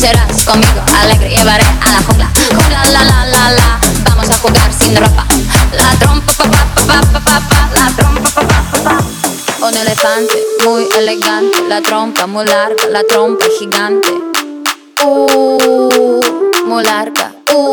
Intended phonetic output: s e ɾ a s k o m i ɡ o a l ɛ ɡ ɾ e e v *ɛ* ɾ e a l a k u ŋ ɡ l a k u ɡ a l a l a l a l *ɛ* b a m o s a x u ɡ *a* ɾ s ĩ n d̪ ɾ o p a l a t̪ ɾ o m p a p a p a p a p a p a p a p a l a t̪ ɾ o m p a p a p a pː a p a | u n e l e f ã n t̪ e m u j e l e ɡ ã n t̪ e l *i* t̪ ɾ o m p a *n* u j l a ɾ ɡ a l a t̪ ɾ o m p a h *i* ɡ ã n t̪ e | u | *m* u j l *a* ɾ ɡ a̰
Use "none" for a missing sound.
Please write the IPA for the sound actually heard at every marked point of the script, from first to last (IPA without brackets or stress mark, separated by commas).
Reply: a, a, a, a, m, i, m, a